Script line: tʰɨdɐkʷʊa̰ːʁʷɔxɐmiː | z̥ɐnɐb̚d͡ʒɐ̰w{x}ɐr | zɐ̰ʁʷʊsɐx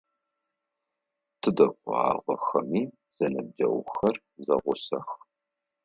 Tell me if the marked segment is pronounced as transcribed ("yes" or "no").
yes